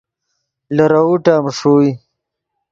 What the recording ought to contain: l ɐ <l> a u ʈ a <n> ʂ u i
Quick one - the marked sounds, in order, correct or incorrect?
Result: incorrect: ɾ, incorrect: m

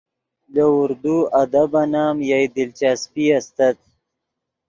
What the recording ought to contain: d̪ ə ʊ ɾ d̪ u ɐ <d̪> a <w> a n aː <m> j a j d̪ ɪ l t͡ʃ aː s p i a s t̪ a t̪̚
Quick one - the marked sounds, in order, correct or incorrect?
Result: correct, incorrect: b, correct

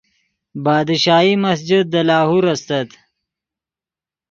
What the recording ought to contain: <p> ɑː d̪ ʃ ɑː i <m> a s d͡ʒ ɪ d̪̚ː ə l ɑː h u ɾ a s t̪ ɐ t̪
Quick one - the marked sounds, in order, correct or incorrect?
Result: incorrect: b, correct

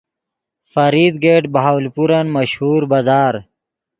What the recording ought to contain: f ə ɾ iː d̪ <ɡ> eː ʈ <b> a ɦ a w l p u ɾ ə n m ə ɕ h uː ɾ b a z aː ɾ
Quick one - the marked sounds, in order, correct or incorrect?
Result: correct, correct

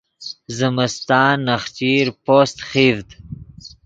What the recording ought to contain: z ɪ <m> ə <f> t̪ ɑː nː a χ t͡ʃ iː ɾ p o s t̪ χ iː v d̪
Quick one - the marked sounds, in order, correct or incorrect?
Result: correct, incorrect: s

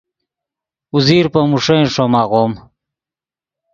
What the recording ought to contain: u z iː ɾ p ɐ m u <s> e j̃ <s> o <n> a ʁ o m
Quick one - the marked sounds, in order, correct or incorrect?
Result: incorrect: ʂ, incorrect: ʂ, incorrect: m

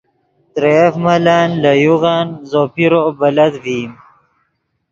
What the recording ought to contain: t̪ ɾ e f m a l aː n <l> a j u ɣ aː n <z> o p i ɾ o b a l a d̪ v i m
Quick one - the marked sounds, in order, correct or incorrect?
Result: correct, correct

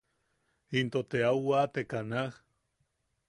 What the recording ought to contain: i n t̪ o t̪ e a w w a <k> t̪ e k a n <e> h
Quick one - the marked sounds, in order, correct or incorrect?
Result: incorrect: none, incorrect: a

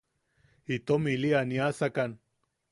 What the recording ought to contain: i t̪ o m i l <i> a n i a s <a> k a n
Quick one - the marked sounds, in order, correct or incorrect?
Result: correct, correct

